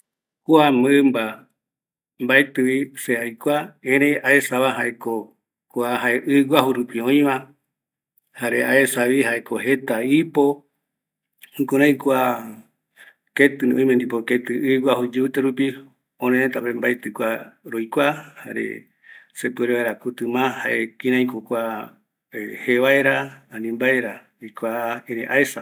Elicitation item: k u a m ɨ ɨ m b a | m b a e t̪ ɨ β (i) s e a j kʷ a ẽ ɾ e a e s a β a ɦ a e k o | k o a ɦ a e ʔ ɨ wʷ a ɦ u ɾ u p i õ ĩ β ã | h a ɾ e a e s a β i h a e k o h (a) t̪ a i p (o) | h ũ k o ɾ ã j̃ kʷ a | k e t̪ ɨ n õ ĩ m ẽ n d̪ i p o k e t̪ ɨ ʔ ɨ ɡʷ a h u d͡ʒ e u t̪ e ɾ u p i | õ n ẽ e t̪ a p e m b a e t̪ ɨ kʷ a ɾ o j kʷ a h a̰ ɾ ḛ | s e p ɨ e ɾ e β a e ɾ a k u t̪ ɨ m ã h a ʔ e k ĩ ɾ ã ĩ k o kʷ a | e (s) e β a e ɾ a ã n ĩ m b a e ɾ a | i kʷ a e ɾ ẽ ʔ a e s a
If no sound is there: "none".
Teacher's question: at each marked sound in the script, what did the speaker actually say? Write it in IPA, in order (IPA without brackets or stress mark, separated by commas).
i, e, o, h